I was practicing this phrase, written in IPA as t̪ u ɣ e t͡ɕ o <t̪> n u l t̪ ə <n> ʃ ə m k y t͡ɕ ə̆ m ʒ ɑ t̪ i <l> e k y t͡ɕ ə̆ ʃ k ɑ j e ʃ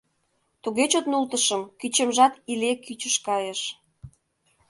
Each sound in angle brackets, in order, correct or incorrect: correct, incorrect, correct

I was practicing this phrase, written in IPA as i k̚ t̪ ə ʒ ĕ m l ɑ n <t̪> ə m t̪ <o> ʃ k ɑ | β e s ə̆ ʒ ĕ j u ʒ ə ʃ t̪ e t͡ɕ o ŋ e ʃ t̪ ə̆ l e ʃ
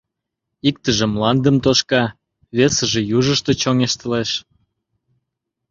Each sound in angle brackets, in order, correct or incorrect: incorrect, correct

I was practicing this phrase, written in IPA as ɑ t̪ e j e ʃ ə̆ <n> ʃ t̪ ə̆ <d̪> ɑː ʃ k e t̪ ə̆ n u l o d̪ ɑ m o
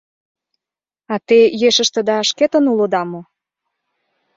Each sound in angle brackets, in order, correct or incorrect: incorrect, correct

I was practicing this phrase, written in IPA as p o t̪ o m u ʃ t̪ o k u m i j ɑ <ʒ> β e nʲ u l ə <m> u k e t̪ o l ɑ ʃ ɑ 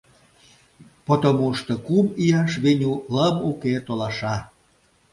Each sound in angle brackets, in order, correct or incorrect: incorrect, correct

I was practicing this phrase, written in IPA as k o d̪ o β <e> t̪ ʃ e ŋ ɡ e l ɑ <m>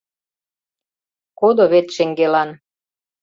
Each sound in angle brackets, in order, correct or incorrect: correct, incorrect

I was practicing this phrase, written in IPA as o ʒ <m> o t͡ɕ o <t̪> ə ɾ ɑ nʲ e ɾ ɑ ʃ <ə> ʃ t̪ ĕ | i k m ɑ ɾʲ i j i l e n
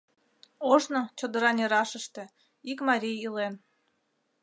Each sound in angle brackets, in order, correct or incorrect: incorrect, incorrect, correct

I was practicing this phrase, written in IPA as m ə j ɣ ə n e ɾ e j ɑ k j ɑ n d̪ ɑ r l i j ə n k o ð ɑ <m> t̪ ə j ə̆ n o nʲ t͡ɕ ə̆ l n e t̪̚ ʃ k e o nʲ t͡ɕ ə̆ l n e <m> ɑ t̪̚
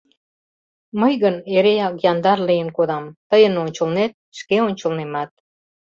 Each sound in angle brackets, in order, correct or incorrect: correct, correct

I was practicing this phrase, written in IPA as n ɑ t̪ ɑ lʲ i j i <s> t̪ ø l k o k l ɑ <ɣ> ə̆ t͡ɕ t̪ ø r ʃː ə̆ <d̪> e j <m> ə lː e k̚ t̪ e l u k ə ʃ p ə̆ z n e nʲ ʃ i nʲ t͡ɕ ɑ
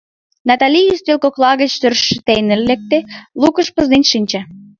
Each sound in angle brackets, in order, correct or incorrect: correct, correct, incorrect, incorrect

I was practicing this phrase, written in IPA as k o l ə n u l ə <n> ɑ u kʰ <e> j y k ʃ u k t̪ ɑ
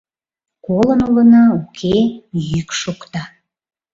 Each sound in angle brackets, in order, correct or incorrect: correct, correct

